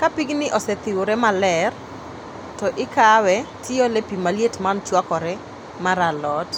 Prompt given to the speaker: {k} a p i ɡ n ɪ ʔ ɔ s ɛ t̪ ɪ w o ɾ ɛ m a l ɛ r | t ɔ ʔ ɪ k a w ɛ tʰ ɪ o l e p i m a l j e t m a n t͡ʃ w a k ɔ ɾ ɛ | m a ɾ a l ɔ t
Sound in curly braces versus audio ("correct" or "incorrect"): correct